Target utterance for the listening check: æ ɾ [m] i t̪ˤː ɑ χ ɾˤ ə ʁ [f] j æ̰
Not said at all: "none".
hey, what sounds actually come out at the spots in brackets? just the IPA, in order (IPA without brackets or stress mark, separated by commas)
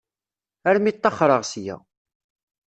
m, s